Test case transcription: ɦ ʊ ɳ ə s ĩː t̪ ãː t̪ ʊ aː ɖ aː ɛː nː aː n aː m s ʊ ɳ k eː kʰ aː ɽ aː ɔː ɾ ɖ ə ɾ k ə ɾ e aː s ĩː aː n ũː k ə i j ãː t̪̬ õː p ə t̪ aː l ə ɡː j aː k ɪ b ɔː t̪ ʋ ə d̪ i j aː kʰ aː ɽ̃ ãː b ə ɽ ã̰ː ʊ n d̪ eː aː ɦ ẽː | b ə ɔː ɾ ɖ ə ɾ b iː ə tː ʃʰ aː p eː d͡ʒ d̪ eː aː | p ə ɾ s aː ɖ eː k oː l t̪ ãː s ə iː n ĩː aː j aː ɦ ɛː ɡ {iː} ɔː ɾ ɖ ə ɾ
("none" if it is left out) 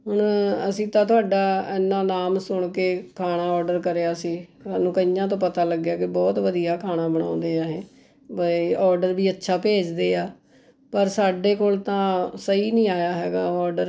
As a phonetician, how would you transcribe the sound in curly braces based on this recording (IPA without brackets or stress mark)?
aː